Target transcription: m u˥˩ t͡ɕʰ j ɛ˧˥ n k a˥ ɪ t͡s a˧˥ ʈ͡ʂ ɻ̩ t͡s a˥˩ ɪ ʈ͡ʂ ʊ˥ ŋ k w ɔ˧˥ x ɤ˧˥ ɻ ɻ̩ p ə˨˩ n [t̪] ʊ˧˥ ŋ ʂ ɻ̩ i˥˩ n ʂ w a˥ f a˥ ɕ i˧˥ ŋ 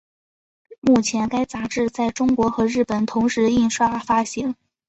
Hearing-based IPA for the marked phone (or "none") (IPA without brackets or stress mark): t̪ʰ